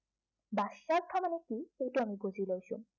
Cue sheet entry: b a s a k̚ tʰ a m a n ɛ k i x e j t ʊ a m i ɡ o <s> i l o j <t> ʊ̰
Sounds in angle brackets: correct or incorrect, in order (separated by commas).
incorrect, incorrect